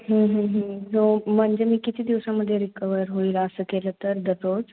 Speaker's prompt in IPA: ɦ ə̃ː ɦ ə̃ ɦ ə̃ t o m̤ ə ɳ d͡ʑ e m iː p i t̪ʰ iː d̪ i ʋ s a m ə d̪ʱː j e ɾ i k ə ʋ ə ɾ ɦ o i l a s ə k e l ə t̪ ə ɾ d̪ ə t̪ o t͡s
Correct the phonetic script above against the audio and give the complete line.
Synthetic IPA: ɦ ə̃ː ɦ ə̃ ɦ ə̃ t o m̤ ə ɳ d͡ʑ e m iː k i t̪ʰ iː d̪ i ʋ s a m ə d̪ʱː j e ɾ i k ə ʋ ə ɾ ɦ o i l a s ə k e l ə t̪ ə ɾ d̪ ə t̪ o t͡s

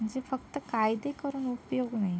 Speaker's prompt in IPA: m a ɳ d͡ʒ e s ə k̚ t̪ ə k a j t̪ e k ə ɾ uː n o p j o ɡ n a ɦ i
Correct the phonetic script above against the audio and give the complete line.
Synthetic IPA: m ə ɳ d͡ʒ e f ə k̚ t̪ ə k a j d̪ e k ə ɾ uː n u p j o ɡ n a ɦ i

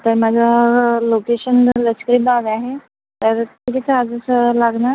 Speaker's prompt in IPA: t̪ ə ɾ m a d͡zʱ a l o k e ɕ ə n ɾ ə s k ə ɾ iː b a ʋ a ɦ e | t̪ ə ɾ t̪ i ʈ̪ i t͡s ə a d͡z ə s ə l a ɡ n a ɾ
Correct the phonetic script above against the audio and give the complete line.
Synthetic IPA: t̪ ə ɾ m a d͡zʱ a l o k e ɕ ə n l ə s k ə ɾ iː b a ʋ a ɦ e | t̪ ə ɾ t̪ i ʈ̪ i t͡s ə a d͡z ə s ə l a ɡ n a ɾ

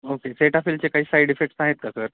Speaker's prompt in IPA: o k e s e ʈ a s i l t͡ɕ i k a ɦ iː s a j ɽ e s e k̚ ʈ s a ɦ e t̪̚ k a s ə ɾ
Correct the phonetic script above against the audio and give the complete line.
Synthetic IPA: o k e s e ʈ a f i l t͡ɕ e k a ɦ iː s a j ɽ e f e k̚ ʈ s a ɦ e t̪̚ k a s ə ɾ

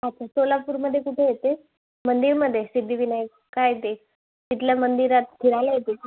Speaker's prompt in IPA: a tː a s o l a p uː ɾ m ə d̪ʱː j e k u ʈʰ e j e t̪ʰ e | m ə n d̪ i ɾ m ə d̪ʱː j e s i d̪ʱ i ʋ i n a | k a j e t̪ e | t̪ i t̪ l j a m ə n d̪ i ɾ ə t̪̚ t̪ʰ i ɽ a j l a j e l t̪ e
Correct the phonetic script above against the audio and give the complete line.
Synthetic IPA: a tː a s o l a p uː ɾ m ə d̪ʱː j e k u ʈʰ e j e t̪ e | m ə n d̪ i ɾ m ə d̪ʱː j e s i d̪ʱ i ʋ i n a | k a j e t̪ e | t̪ i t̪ l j a m ə n d̪ i ɾ a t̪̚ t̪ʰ i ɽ a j l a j e t̪ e

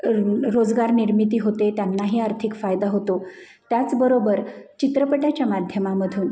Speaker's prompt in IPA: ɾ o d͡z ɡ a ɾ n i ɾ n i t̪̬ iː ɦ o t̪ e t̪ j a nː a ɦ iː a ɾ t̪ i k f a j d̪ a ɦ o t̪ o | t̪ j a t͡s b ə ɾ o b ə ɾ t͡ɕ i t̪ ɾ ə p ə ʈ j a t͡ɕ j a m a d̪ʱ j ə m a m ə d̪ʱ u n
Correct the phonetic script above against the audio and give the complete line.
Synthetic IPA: ɾ o d͡z ɡ a ɾ n i ɾ m i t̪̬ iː ɦ o t̪ e t̪ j a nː a ɦ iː a ɾ t̪ʰ i k f a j d̪ a ɦ o t̪ o | t̪ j a t͡s b ə ɾ o b ə ɾ t͡ɕ i t̪ ɾ ə p ə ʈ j a t͡ɕ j a m a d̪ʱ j ə m a m ə d̪ʱ uː n

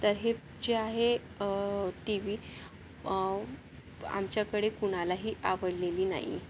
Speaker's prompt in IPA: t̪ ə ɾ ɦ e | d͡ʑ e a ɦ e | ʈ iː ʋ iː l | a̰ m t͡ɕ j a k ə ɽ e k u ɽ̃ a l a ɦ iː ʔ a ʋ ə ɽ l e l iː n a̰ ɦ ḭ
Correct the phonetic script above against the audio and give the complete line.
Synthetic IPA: t̪ ə ɾ ɦ e | d͡ʑ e a ɦ e | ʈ i ʋ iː | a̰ m t͡ɕ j a k ə ɽ e k u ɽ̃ a l a ɦ iː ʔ a ʋ ə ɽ l e l iː n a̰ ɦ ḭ

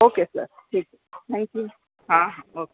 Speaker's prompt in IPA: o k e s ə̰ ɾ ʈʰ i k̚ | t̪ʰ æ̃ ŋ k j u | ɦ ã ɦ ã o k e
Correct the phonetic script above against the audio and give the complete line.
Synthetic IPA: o k e s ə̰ ɾ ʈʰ i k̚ | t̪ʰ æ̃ ŋ k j u | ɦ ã ɦ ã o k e

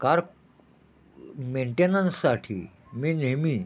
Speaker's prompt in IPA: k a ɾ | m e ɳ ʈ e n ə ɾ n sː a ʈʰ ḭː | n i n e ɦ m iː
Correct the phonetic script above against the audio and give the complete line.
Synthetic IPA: k a ɾ | m e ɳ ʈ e n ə n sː a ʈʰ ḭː | m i n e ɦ m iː

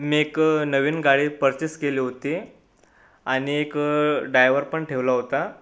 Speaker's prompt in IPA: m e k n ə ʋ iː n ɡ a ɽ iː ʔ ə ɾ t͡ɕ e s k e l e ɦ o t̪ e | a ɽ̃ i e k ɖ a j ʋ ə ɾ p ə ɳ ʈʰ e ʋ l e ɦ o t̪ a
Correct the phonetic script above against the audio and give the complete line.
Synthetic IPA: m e k n ə ʋ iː n ɡ a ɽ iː p ə ɾ t͡ɕ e s k e l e ɦ o t̪ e | a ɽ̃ i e k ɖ a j ʋ ə ɾ p ə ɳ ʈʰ e ʋ l a ɦ o t̪ a

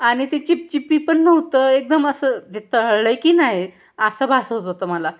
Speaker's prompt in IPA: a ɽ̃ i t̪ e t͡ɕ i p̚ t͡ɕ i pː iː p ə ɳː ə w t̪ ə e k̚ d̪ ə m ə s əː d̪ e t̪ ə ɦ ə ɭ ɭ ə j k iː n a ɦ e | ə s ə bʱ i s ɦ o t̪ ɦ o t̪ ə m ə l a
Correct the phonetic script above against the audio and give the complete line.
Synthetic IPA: a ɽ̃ i t̪ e t͡ɕ i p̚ t͡ɕ i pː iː p ə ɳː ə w t̪ ə e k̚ d̪ ə m ə s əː d̪ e t̪ ə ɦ ə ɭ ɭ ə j k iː n a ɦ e | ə s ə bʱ a s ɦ o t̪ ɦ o t̪ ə m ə l a

